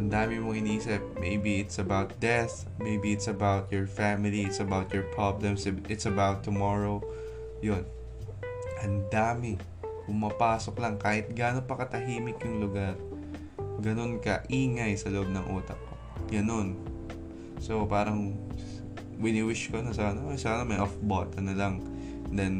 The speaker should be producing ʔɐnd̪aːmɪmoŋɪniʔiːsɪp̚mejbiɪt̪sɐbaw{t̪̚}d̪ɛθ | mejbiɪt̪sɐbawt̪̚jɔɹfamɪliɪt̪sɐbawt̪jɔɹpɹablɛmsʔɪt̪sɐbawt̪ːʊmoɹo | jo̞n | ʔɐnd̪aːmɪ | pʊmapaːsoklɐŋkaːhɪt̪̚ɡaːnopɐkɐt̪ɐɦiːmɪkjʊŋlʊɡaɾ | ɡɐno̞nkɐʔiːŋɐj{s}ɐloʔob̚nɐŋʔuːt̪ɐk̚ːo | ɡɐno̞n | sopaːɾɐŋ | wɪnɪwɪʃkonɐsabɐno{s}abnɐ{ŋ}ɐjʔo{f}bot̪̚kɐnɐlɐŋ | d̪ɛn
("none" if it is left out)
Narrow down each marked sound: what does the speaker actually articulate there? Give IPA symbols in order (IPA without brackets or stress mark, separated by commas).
t̪̚, s, s, m, f